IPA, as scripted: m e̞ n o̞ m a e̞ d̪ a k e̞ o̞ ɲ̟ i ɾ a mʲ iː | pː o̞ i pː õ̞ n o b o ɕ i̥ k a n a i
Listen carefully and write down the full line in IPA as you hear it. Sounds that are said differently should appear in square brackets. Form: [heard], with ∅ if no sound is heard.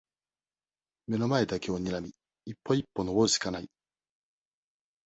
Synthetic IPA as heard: m e̞ n o̞ m a e̞ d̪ a k e̞ o̞ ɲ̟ i ɾ a mʲ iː | pː o̞ i pː [o̞] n o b o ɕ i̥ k a n a i